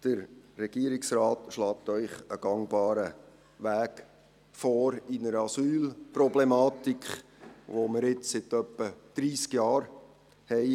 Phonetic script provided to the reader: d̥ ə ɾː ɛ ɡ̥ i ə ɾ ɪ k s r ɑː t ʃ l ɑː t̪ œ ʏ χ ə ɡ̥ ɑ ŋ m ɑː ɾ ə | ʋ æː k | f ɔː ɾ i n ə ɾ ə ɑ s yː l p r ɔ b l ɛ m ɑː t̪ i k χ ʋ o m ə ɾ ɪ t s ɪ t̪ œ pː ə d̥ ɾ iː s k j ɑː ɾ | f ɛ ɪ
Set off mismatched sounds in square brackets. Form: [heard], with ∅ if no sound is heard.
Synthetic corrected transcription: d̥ ə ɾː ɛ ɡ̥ i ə ɾ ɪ k s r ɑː t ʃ l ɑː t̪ œ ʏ χ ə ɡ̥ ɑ ŋ [b] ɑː ɾ ə | ʋ æː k | f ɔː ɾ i n ə ɾ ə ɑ s yː l p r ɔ b l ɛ m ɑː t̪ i k χ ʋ o m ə ɾ ɪ [t͡s] s ɪ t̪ œ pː ə d̥ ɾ iː s k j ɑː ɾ | [h] ɛ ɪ